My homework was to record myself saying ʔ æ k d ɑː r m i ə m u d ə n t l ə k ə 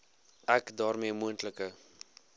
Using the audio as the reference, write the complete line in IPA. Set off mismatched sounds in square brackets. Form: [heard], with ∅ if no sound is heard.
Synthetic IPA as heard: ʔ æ k d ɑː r m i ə m u [∅] ə n t l ə k ə